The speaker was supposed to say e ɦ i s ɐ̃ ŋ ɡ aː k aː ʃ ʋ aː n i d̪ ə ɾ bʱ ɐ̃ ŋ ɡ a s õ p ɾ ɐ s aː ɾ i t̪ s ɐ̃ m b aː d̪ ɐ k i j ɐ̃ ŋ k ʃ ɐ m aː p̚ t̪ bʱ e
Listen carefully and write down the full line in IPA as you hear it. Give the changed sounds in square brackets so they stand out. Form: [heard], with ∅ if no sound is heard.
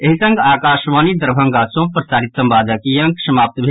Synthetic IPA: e ɦ i s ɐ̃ ŋ ɡ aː k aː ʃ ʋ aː n i d̪ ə ɾ bʱ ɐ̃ ŋ ɡ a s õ p ɾ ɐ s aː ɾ i t̪ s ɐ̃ m b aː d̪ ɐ k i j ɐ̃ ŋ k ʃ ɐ m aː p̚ t̪ bʱ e